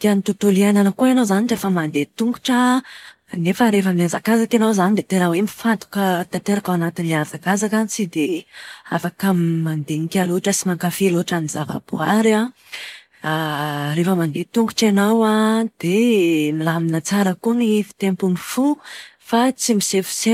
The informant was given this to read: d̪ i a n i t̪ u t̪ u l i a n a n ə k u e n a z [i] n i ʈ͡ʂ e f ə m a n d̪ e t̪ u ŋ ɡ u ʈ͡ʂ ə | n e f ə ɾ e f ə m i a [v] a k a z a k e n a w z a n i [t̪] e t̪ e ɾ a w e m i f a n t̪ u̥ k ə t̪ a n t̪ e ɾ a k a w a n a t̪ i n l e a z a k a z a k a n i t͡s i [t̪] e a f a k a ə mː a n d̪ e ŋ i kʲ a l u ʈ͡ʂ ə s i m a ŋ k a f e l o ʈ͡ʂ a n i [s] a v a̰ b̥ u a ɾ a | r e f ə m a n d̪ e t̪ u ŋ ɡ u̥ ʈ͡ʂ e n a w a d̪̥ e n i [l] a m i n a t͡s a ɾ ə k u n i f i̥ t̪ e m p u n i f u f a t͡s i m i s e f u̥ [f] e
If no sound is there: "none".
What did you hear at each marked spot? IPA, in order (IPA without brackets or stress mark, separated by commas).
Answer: a, z, d̪, d̪, z, l, s